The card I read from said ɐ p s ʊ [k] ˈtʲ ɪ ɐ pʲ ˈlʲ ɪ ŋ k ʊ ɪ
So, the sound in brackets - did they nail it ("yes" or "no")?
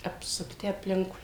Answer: yes